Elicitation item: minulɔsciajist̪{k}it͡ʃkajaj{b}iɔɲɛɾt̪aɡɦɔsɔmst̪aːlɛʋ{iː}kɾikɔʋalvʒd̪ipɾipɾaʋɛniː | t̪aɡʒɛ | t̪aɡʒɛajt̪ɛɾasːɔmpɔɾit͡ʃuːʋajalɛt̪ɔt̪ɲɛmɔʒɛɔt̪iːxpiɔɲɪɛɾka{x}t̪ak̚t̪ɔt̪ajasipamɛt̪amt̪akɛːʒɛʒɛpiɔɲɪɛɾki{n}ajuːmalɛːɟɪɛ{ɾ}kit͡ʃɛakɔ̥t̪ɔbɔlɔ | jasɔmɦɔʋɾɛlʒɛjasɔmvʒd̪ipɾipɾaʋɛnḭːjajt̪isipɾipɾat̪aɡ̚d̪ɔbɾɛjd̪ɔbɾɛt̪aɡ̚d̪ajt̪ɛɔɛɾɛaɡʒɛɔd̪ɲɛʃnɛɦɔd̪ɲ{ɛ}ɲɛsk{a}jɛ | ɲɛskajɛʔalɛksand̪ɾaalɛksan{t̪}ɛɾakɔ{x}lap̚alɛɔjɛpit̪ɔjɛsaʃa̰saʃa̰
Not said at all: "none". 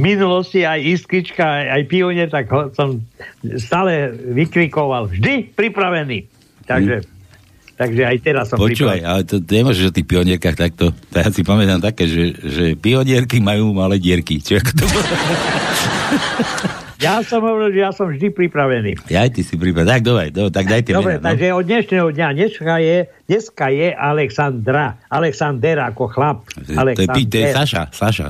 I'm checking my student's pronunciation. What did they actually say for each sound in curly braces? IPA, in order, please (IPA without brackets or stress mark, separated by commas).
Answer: k, p, i, x, m, ɾ, a, a, d̪, x